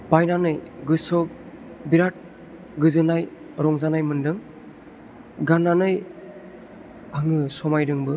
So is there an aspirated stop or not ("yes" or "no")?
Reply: no